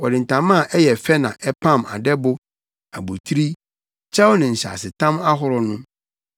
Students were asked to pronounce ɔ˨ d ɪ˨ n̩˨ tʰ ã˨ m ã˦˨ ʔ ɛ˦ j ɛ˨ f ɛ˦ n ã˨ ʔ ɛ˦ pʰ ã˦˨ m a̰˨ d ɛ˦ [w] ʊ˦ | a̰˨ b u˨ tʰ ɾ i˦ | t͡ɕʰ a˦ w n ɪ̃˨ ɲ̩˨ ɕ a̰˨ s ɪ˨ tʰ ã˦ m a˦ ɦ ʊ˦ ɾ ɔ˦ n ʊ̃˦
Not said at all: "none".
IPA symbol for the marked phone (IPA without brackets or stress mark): b